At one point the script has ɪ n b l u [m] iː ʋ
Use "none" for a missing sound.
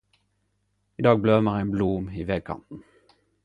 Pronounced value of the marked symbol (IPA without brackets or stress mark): m